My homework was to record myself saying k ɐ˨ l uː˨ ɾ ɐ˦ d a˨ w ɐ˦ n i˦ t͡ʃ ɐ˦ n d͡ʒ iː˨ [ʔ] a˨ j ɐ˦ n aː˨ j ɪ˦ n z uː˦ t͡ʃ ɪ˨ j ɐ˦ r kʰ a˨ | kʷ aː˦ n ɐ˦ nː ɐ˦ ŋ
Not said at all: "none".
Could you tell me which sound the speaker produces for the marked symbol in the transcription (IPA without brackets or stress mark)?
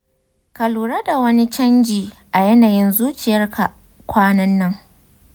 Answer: ʔ